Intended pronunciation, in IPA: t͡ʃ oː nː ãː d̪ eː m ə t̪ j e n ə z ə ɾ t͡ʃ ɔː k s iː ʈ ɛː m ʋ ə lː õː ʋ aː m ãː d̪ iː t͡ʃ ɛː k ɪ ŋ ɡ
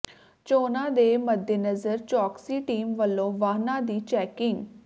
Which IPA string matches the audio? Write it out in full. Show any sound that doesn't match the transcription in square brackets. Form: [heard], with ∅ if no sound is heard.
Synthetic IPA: t͡ʃ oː [n] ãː d̪ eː m ə [d̪] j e n ə z ə ɾ t͡ʃ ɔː k s iː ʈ [iː] m ʋ ə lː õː ʋ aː [n] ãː d̪ iː t͡ʃ ɛː k ɪ ŋ ɡ